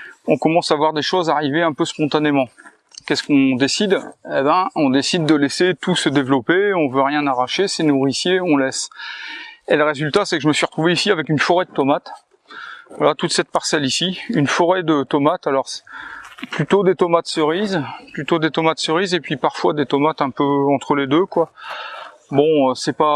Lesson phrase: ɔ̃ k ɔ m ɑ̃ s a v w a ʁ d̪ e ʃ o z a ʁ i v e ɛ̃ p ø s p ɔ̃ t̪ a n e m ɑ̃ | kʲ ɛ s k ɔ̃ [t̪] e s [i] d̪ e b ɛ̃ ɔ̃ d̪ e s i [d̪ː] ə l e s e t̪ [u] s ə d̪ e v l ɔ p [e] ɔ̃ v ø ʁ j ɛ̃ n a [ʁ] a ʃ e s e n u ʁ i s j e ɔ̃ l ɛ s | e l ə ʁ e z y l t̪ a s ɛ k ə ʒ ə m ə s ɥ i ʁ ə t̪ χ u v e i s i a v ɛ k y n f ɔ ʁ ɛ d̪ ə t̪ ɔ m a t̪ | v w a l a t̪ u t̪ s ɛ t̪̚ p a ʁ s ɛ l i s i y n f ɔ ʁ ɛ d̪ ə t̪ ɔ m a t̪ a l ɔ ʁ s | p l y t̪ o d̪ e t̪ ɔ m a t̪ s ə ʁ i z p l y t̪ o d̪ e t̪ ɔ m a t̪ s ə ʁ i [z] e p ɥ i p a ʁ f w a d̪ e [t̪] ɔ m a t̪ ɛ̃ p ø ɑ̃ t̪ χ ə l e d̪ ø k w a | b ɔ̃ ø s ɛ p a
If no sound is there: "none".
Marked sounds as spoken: d̪, i, d̪ː, u, e, ʁ, z, t̪

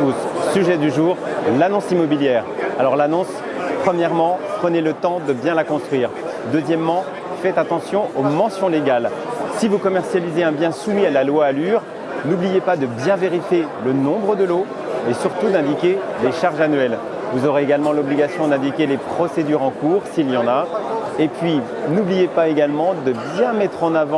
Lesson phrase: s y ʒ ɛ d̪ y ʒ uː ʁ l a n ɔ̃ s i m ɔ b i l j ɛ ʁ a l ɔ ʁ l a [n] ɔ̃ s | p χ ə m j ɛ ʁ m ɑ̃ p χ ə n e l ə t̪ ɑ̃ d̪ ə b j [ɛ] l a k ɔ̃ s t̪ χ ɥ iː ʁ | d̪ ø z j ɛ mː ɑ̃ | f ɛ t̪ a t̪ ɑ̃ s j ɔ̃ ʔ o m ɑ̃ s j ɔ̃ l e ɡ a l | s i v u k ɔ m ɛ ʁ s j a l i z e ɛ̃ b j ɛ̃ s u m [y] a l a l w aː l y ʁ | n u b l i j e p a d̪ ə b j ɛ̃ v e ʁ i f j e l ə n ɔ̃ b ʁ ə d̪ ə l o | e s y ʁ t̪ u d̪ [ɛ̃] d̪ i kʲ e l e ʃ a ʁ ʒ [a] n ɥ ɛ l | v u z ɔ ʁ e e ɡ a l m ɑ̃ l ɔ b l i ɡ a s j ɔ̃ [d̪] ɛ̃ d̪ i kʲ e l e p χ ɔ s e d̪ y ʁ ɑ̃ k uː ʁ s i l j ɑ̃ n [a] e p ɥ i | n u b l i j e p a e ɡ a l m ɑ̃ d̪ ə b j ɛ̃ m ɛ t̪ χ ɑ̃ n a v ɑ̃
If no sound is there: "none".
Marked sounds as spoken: n, ɛ̃, i, ɛ̃, a, d̪, a

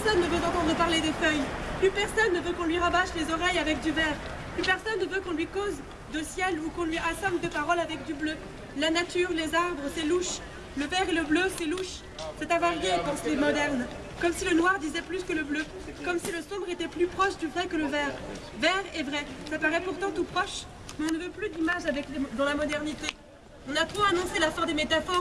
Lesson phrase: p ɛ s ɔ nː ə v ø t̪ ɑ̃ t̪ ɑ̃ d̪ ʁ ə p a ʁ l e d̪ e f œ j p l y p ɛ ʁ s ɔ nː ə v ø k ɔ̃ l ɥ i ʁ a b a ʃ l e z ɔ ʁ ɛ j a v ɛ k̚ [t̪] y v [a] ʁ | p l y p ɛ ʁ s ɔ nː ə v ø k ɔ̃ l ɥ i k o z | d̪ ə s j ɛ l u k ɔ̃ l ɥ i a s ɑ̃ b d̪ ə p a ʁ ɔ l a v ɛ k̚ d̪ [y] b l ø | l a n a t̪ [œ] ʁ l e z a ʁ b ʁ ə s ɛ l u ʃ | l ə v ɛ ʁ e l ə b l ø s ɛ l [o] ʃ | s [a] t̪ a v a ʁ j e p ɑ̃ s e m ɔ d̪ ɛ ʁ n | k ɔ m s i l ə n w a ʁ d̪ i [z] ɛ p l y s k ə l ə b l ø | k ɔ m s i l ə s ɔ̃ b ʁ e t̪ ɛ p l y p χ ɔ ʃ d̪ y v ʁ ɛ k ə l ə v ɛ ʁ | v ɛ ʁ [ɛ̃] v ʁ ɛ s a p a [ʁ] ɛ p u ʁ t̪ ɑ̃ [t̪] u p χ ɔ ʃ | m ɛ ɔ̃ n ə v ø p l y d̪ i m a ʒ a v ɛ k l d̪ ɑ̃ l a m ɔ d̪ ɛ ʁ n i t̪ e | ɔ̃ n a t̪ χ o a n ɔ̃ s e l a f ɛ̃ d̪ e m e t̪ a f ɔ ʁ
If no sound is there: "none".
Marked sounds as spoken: d̪, ɛ, y, y, u, ɛ, z, ɛ, ʁ, t̪

